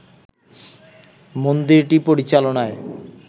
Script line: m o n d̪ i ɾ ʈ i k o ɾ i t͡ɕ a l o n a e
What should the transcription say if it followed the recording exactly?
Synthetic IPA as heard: m o n d̪ i ɾ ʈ i p o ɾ i t͡ɕ a l o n a e